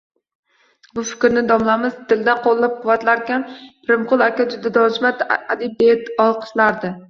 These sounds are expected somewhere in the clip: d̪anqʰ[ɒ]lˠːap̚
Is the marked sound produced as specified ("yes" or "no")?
no